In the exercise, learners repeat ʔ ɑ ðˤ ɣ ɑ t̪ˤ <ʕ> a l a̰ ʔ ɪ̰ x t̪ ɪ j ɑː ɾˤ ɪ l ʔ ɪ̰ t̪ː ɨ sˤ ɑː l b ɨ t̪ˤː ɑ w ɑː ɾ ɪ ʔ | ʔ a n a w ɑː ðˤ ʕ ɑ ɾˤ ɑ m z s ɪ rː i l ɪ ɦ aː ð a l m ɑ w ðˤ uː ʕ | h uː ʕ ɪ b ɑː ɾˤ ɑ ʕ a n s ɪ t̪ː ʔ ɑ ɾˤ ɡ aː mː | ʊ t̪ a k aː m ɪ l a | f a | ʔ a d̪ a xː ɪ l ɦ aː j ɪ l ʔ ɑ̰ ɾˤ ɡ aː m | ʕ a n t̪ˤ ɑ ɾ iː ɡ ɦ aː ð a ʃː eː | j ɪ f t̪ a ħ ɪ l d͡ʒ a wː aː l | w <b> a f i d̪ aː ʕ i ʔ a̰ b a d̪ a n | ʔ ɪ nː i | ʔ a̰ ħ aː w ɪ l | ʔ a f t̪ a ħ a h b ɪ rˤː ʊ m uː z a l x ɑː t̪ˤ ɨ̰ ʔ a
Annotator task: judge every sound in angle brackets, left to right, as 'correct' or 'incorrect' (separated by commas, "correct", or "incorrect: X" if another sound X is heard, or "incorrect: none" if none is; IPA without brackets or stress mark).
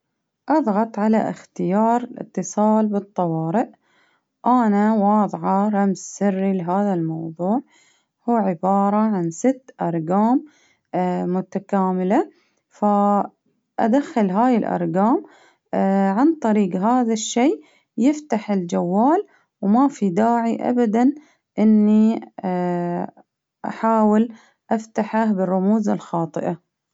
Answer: correct, incorrect: m